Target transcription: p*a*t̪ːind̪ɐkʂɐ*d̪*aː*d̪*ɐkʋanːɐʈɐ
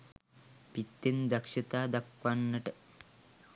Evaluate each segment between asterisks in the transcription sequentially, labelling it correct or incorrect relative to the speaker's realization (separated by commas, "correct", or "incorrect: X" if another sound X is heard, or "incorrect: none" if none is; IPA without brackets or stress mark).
incorrect: i, incorrect: t̪, correct